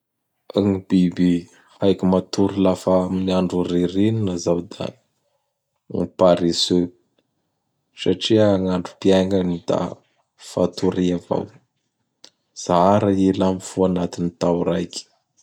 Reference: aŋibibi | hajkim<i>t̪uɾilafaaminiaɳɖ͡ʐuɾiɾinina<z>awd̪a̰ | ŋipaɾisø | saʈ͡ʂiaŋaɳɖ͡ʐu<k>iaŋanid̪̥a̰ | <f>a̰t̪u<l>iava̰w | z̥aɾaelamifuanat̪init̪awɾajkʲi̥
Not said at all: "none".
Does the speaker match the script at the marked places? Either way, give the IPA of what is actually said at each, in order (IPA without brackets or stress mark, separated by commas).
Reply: a, z, p, f, ɾ